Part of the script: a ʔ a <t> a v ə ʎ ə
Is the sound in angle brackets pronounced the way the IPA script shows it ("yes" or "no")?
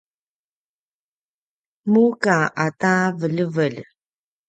yes